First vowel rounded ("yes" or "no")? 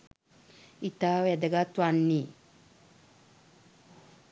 no